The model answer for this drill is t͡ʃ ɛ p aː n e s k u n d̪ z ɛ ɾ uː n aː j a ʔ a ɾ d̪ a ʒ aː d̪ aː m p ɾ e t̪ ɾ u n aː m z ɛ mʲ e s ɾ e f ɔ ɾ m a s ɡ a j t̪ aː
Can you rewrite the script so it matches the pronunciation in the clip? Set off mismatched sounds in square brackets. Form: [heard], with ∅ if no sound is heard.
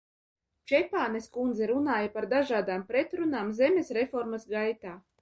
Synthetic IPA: t͡ʃ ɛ p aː n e s k u n d̪ z ɛ ɾ [u] n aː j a [p] a ɾ d̪ a ʒ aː d̪ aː m p ɾ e t̪ ɾ u n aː m z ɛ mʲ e s ɾ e f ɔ ɾ m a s ɡ a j t̪ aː